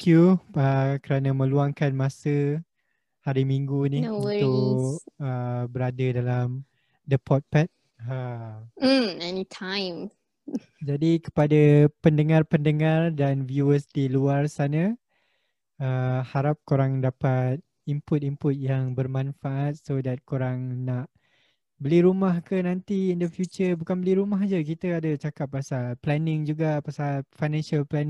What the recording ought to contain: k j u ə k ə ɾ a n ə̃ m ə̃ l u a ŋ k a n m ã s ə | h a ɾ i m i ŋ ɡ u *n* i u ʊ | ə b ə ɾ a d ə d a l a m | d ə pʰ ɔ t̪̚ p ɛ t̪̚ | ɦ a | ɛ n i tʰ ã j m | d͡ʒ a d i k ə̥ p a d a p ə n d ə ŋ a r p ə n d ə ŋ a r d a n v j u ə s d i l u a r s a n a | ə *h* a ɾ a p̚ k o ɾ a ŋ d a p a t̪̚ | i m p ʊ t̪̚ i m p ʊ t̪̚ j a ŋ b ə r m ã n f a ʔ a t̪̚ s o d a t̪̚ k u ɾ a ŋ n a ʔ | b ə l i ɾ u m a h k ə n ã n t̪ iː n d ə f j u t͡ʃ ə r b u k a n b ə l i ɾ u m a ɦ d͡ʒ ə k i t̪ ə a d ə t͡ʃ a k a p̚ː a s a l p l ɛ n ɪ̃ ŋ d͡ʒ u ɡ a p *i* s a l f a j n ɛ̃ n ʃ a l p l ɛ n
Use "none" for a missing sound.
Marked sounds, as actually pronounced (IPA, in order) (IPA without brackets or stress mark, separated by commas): n, h, a